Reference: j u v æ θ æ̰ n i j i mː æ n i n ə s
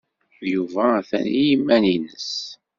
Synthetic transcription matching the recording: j u v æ θ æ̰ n i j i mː æ n i n ə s